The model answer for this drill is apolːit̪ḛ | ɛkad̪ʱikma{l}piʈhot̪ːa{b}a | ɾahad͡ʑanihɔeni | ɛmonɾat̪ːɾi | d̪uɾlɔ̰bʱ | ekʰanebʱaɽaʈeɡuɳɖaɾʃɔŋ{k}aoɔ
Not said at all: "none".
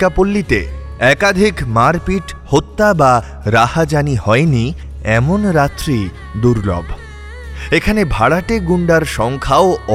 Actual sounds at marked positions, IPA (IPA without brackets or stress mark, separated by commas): ɾ, b, kʰ